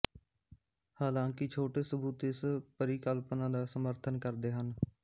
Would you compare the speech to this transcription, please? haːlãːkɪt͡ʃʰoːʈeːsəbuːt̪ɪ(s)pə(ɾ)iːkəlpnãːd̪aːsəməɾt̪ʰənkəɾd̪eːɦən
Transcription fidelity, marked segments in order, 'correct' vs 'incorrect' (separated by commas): correct, correct